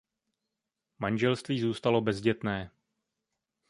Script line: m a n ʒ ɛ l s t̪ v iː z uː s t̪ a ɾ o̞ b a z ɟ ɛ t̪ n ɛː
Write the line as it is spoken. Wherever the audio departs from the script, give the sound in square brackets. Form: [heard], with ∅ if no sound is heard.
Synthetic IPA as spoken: m a n ʒ ɛ l s t̪ v iː z uː s t̪ a [l] o̞ b [ɛ] z ɟ ɛ t̪ n ɛː

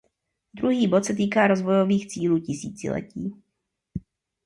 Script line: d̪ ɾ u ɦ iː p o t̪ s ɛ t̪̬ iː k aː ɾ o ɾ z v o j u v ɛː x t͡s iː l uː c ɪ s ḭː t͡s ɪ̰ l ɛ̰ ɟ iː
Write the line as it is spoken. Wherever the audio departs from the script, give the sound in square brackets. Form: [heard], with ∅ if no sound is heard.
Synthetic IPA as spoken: d̪ ɾ u ɦ iː [b] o t̪ s ɛ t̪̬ iː k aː ɾ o [∅] z v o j [o] v [iː] x t͡s iː l uː c ɪ s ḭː t͡s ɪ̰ l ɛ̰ [c] iː

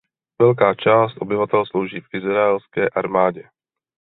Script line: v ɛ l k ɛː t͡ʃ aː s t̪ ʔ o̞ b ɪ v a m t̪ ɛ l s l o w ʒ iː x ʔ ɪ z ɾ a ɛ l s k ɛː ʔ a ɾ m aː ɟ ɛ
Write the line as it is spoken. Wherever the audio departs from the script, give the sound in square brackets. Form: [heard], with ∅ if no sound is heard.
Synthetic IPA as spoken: v ɛ l k [aː] t͡ʃ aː s t̪ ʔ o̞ b ɪ v a [∅] t̪ ɛ l s l o w ʒ iː [f] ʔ ɪ z ɾ a ɛ l s k ɛː ʔ a ɾ m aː ɟ ɛ

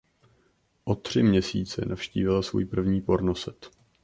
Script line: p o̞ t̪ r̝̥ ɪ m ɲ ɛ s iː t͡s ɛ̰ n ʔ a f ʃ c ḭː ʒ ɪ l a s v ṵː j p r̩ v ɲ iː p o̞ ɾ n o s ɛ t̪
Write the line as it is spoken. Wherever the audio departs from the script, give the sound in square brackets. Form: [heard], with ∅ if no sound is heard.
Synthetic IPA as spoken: [ʔ] o̞ t̪ r̝̥ ɪ m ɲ ɛ s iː t͡s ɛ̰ n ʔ a f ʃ c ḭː [v] ɪ l a s v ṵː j p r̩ v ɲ iː p o̞ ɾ n o s ɛ t̪

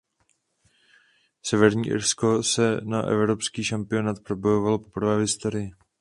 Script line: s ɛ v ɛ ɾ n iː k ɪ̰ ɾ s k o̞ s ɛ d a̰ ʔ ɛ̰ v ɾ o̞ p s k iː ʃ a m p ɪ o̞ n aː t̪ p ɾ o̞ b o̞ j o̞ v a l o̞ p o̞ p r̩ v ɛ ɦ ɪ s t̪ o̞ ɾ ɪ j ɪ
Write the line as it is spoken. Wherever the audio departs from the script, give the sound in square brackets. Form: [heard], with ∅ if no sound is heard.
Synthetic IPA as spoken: s ɛ v ɛ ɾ [ɲ] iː [ʔ] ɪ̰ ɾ s k o̞ s ɛ [n] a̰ ʔ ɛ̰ v ɾ o̞ p s k iː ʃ a m p ɪ o̞ n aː t̪ p ɾ o̞ b o̞ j o̞ v a l o̞ p o̞ p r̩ v [ɛː] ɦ ɪ s t̪ o̞ ɾ ɪ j ɪ

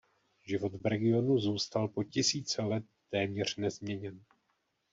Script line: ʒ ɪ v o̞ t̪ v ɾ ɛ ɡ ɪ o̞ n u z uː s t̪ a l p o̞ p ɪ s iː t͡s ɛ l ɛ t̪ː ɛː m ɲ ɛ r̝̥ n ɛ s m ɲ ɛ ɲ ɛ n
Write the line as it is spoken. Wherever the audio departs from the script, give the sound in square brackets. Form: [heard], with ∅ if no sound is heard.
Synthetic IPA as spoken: ʒ ɪ v o̞ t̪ v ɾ ɛ ɡ ɪ o̞ n u z uː s t̪ a l p o̞ [c] ɪ s iː t͡s ɛ l ɛ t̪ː ɛː m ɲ ɛ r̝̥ n ɛ [z] m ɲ ɛ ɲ ɛ n

